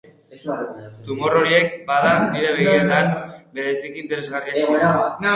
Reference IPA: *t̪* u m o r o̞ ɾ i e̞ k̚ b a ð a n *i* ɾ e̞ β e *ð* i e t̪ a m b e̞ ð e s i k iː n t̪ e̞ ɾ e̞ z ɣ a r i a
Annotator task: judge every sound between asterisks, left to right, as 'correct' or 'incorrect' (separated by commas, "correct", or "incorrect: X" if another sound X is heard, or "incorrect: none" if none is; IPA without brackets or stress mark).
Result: correct, correct, incorrect: ɣ